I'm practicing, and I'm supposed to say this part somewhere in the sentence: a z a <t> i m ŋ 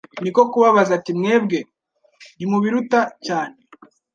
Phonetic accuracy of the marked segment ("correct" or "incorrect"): correct